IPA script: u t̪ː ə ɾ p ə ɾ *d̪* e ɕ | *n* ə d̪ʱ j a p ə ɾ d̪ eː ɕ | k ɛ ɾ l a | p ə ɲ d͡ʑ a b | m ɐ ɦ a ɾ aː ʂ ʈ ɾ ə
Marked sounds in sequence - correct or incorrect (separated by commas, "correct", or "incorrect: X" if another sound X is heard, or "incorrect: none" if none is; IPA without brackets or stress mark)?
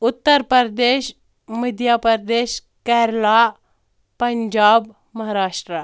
correct, incorrect: m